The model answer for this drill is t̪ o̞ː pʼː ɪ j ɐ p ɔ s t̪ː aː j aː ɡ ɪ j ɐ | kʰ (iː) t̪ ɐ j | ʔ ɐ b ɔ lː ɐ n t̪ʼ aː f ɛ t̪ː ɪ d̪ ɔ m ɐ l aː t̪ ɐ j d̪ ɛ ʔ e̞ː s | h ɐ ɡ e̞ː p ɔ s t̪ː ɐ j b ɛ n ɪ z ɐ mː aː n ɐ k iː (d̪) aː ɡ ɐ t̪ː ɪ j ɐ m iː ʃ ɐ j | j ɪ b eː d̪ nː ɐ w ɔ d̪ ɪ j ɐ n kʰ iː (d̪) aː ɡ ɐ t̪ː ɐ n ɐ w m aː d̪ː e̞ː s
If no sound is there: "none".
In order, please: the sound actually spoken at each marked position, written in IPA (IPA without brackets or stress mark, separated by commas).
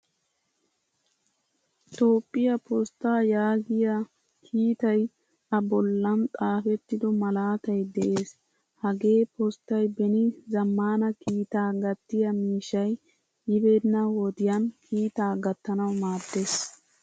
iː, t̪, t̪